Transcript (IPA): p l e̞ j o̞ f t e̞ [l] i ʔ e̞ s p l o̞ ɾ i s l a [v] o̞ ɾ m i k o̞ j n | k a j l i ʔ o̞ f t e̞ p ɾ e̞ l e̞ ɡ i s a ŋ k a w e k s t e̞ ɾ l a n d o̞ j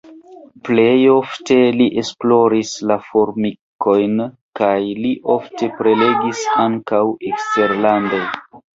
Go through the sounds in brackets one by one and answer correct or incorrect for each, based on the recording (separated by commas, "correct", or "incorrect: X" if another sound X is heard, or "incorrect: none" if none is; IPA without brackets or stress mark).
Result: correct, incorrect: f